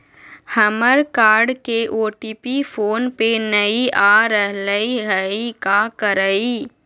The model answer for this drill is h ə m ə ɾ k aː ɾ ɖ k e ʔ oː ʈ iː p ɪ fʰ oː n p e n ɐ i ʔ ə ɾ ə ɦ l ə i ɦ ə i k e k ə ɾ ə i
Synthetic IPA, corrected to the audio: h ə m ə ɾ k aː ɾ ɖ k e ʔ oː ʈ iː p i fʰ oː n p e n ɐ i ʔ a ɾ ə ɦ l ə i ɦ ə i k a k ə ɾ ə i